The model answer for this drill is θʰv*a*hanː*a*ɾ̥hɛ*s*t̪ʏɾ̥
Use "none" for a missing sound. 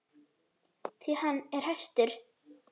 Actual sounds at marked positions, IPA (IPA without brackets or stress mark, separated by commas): i, ɛ, s